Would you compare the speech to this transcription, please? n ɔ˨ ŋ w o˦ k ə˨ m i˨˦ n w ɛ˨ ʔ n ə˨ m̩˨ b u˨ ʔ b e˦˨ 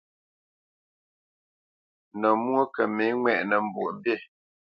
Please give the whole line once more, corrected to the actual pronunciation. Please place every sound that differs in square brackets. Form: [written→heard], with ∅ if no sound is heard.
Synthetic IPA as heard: n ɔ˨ [ŋ→m] w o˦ k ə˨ m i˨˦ [n→ŋ] w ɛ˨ ʔ n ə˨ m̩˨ b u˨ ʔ b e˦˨